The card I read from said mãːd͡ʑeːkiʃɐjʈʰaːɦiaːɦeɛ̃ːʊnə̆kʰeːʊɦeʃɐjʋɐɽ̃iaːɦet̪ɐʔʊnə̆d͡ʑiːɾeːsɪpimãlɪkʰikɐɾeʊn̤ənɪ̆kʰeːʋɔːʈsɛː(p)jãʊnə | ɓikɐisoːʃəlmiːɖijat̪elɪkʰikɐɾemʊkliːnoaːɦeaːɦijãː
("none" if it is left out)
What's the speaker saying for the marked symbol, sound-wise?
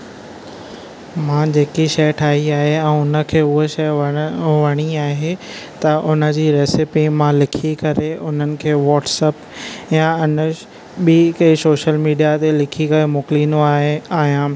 p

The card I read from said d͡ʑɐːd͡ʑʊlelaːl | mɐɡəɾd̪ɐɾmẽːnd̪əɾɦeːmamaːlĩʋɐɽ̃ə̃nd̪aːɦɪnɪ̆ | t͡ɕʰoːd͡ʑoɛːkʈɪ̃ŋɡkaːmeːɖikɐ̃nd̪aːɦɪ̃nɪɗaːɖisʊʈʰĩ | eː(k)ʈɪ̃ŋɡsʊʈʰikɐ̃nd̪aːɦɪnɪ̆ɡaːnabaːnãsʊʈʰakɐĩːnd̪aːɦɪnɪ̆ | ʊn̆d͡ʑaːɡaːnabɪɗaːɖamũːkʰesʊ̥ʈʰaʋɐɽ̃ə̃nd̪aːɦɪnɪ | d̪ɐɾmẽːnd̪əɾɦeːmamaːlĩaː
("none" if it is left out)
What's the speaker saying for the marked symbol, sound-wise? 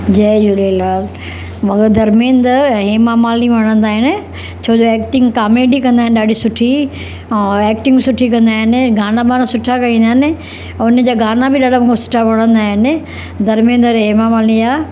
k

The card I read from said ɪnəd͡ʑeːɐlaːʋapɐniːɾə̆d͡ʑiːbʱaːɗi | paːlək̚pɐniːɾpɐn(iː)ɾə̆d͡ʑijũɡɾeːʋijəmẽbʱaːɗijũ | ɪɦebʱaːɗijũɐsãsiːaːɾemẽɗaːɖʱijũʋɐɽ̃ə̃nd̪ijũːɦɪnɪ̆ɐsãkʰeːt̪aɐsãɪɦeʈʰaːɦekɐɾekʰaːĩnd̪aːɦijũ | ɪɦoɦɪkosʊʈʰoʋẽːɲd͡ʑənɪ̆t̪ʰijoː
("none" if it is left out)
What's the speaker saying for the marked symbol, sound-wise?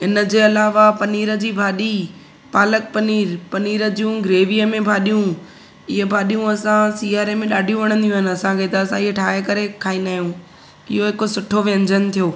iː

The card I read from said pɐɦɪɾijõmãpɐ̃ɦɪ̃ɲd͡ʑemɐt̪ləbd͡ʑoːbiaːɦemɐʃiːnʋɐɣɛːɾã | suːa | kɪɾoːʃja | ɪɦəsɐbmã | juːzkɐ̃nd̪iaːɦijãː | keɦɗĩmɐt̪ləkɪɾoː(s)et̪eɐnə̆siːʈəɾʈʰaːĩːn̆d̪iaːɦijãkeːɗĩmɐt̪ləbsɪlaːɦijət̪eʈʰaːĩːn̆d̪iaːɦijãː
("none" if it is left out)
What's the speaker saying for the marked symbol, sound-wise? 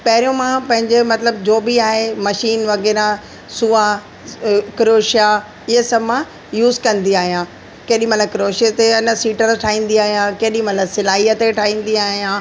ʃ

